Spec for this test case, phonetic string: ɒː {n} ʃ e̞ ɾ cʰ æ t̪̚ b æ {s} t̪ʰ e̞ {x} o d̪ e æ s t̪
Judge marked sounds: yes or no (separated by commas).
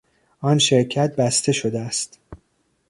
yes, yes, no